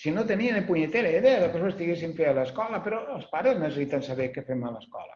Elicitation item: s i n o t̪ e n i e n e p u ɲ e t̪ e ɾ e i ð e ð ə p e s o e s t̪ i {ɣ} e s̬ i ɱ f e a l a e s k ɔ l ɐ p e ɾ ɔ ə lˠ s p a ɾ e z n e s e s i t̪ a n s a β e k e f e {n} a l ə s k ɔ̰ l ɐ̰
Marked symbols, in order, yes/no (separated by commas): yes, no